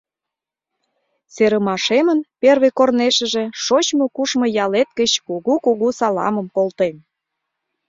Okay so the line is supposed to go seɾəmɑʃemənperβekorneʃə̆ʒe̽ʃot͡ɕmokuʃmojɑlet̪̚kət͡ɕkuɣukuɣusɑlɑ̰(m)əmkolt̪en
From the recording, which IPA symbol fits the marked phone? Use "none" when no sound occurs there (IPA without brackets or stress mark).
m